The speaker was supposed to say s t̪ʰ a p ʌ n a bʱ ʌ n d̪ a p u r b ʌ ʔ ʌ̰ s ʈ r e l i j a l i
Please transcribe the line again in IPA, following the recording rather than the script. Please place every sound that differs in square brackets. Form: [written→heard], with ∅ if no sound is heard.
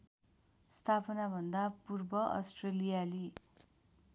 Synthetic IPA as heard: s t̪ʰ a p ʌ n a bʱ ʌ n d̪ a p u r b ʌ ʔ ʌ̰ s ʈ r e l i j a l i

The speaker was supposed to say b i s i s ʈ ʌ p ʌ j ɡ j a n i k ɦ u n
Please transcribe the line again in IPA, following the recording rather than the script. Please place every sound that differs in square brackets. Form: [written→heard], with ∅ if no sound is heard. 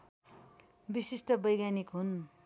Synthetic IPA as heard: b i s i s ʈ ʌ [p→b] ʌ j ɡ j a n i k ɦ u n

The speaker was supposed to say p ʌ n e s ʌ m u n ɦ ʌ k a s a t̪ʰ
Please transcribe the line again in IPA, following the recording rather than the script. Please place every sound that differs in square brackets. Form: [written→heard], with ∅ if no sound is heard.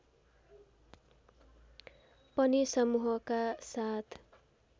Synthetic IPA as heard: p ʌ n [e→i] s ʌ m u [n→∅] ɦ ʌ k a s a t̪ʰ

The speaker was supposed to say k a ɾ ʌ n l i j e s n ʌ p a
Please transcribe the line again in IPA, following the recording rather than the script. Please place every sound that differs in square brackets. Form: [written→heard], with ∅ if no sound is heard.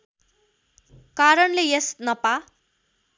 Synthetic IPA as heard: k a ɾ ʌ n l [i→e] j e s n ʌ p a

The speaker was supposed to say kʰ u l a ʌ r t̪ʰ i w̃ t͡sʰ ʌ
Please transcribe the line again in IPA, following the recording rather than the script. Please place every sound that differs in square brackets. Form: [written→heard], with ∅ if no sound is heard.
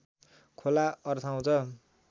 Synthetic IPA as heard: kʰ [u→o] l a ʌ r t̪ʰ [i→a] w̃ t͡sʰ ʌ

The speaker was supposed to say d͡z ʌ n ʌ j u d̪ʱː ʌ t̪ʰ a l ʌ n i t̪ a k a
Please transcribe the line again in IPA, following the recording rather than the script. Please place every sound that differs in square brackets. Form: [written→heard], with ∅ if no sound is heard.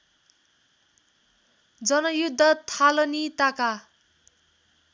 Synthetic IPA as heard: d͡z ʌ n ʌ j u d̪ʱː ʌ t̪ʰ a l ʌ n i t̪ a k a

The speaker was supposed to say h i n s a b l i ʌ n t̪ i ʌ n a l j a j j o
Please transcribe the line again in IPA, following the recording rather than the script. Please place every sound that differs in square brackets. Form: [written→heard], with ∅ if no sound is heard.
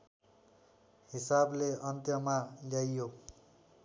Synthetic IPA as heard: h i [n→∅] s a b l [i→e] ʌ n t̪ [i→j] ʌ [n→m] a l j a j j o

